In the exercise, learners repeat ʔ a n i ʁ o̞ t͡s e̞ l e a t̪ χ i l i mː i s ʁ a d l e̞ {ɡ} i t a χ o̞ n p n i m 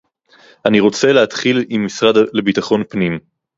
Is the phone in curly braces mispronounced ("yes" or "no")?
yes